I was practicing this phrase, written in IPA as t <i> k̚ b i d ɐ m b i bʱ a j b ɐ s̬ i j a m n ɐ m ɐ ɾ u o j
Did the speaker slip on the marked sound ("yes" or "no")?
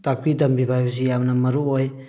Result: yes